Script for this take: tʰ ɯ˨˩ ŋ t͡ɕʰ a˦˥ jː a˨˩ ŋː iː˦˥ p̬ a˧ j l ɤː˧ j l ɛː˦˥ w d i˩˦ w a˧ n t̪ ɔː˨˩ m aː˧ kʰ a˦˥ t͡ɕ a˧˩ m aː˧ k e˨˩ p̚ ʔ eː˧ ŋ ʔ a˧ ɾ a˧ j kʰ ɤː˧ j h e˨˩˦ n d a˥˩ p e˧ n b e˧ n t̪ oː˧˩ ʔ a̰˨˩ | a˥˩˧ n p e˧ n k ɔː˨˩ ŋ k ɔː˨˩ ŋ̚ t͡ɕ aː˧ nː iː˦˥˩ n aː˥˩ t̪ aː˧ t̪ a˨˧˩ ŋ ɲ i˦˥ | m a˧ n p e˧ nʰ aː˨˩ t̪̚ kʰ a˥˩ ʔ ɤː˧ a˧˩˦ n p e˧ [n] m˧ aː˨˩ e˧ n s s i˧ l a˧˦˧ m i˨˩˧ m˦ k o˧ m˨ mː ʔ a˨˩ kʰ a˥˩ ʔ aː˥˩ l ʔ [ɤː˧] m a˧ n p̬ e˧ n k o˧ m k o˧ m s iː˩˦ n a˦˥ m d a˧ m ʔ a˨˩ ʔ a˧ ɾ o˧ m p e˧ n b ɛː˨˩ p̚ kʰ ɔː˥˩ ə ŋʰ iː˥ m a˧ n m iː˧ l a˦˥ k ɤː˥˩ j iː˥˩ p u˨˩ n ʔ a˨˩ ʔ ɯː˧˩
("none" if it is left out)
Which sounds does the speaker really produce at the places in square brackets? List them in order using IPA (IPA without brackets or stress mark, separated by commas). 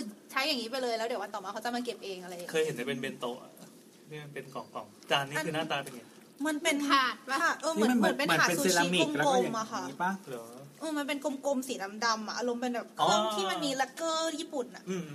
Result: n, ɤː˧